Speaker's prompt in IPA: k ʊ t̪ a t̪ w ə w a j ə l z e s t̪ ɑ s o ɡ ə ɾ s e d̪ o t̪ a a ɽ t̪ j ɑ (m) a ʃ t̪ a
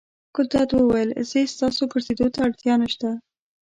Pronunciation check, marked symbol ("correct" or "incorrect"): incorrect